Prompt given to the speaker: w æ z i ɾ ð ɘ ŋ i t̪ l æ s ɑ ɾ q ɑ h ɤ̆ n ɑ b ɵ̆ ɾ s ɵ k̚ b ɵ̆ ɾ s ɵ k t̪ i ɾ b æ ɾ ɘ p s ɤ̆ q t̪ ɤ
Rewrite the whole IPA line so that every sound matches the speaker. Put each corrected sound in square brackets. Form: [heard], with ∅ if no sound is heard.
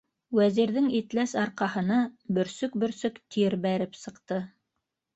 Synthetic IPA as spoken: w æ z i ɾ ð ɘ ŋ i t̪ l æ s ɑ ɾ q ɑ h ɤ̆ n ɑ b ɵ̆ ɾ s ɵ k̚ b ɵ̆ ɾ s ɵ k t̪ i ɾ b æ ɾ ɘ p s ɤ̆ q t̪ ɤ

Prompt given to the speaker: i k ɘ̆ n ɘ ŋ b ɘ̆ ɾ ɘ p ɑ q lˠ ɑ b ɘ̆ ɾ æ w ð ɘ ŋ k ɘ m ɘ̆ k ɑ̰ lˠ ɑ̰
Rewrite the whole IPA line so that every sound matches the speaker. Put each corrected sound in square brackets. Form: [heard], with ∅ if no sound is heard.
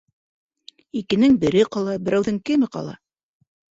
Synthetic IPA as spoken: i k ɘ̆ n ɘ ŋ b ɘ̆ ɾ ɘ [q] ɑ [∅] lˠ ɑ b ɘ̆ ɾ æ w ð ɘ ŋ k ɘ m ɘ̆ [q] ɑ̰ lˠ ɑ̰

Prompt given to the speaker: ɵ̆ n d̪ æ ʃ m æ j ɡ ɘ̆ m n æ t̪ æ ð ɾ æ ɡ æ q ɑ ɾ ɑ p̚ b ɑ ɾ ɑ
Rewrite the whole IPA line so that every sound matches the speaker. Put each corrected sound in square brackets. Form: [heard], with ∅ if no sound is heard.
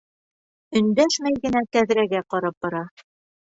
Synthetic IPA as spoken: ɵ̆ n d̪ æ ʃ m æ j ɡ ɘ̆ [∅] n æ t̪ æ ð ɾ æ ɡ æ q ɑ ɾ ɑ p̚ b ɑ ɾ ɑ

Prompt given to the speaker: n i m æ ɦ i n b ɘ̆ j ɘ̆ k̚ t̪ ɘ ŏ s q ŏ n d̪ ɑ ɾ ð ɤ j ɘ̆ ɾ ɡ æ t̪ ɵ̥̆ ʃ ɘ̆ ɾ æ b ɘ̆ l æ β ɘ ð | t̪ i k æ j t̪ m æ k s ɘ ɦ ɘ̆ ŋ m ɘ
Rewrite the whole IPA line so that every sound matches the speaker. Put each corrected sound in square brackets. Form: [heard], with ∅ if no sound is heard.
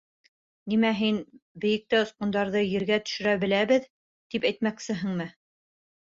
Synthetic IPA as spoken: n i m æ ɦ i n b ɘ̆ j ɘ̆ k̚ t̪ ɘ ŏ s q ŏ n d̪ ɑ ɾ ð ɤ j ɘ̆ ɾ ɡ æ t̪ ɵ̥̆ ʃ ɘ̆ ɾ æ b ɘ̆ l æ β ɘ ð | t̪ i [p] æ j t̪ m æ k s ɘ ɦ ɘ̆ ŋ m ɘ

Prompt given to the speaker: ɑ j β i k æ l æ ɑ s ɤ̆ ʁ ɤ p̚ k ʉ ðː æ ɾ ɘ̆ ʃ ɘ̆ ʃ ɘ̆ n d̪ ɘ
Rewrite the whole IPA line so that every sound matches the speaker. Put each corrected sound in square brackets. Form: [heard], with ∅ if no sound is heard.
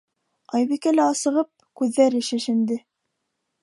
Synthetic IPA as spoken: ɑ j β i k æ l æ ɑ s ɤ̆ ʁ ɤ p̚ k ʉ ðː æ ɾ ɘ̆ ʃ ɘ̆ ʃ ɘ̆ n d̪ ɘ

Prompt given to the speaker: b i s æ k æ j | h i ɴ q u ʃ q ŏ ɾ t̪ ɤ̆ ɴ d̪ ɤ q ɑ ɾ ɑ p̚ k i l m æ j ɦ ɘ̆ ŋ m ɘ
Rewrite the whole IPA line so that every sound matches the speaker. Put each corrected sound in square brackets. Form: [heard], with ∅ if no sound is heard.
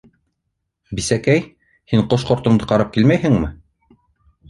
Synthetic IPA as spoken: b i s æ k æ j | h i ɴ q [o] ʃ q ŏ ɾ t̪ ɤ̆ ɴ d̪ ɤ q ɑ ɾ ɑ p̚ k i l m æ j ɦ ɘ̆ ŋ m ɘ

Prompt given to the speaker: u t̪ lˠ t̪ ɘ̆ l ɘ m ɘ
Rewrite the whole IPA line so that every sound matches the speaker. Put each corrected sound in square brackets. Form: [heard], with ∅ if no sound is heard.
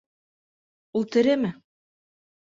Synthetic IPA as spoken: u [∅] lˠ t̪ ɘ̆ [ɾ] ɘ m ɘ

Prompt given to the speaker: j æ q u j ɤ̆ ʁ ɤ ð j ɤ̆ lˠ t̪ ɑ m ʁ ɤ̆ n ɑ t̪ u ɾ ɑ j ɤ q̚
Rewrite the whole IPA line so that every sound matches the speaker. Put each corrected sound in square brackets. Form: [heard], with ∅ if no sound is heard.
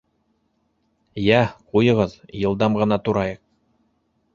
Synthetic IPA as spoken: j æ q u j ɤ̆ ʁ ɤ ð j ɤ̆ lˠ [d̪] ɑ m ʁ ɤ̆ n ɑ t̪ u ɾ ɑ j ɤ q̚

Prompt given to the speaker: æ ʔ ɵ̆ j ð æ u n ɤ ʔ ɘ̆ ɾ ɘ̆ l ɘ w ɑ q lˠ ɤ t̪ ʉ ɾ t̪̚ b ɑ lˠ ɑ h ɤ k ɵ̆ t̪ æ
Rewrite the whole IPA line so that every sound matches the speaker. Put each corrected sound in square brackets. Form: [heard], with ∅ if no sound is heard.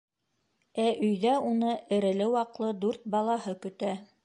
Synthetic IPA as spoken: æ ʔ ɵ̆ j ð æ u n ɤ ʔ ɘ̆ ɾ ɘ̆ l ɘ w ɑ q lˠ ɤ [d̪] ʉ ɾ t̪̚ b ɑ lˠ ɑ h ɤ k ɵ̆ t̪ æ

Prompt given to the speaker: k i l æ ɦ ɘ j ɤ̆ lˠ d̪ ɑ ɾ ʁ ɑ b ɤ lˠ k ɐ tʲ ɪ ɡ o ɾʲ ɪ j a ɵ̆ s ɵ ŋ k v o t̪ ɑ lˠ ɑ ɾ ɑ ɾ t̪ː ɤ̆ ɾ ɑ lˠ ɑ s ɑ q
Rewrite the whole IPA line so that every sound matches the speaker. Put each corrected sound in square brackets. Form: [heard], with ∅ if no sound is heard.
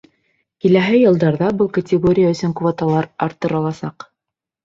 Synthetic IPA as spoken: k i l æ ɦ ɘ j ɤ̆ lˠ d̪ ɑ ɾ [ð] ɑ b ɤ lˠ k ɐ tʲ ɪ ɡ o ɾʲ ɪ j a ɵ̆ s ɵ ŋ k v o t̪ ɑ lˠ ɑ ɾ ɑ ɾ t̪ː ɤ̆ ɾ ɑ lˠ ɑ s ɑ q

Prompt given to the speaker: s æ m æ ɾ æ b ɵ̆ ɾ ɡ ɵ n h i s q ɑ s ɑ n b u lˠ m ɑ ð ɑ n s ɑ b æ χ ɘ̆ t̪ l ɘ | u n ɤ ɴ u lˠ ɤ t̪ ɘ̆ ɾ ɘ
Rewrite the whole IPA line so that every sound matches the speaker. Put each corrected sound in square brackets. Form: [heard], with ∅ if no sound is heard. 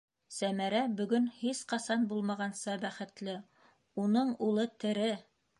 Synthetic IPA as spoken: s æ m æ ɾ æ b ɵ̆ [∅] ɡ ɵ n h i s q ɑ s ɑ n b u lˠ m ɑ [ʁ] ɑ n s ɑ b æ χ ɘ̆ t̪ l ɘ | u n ɤ ɴ u lˠ ɤ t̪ ɘ̆ ɾ ɘ

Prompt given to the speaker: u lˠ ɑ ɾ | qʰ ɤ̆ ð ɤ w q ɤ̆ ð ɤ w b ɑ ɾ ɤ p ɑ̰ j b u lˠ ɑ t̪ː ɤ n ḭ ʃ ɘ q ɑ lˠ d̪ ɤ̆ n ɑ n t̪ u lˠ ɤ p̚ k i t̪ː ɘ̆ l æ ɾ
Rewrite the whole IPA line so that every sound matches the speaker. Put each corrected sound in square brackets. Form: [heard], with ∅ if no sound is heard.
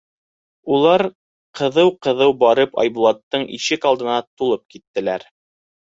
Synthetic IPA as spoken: u lˠ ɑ ɾ | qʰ ɤ̆ ð ɤ w q ɤ̆ ð ɤ w b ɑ ɾ ɤ p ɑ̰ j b u lˠ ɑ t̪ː ɤ [ɴ] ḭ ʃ ɘ [k] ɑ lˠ d̪ ɤ̆ n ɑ [∅] t̪ u lˠ ɤ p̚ k i t̪ː ɘ̆ l æ ɾ

